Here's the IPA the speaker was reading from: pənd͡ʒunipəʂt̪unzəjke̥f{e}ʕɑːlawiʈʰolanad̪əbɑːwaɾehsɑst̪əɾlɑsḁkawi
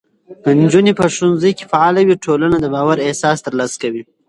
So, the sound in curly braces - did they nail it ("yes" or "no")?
no